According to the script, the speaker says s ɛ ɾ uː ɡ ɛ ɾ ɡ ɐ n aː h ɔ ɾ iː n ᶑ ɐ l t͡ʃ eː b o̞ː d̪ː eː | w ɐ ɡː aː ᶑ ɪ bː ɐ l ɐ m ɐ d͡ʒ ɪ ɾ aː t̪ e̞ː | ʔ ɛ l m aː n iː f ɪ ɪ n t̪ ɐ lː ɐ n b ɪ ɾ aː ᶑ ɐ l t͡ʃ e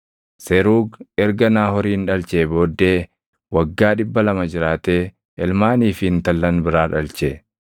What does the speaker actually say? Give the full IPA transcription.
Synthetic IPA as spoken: s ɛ ɾ uː ɡ ɛ ɾ ɡ ɐ n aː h ɔ ɾ iː n ᶑ ɐ l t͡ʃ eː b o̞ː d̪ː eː | w ɐ ɡː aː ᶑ ɪ bː ɐ l ɐ m ɐ d͡ʒ ɪ ɾ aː t̪ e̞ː | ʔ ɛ l m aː n iː f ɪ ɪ n t̪ ɐ lː ɐ n b ɪ ɾ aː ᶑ ɐ l t͡ʃ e